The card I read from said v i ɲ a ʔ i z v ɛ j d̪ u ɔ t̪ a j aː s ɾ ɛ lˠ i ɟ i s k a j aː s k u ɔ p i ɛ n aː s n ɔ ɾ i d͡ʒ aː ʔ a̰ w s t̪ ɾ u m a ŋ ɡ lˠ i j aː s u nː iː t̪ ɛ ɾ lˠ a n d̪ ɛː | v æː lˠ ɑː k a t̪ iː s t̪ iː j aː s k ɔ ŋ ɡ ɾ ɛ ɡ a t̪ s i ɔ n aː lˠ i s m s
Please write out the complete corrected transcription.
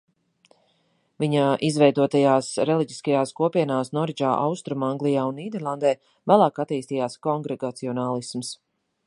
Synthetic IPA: v i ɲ a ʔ i z v ɛ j d̪ u ɔ t̪ a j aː s ɾ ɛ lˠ i ɟ i s k a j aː s k u ɔ p i ɛ n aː s n ɔ ɾ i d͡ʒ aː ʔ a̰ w s t̪ ɾ u m a ŋ ɡ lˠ i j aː u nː iː d̪ ɛ ɾ lˠ a n d̪ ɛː | v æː lˠ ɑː k a t̪ iː s t̪ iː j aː s k ɔ ŋ ɡ ɾ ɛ ɡ a t̪ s i ɔ n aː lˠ i s m s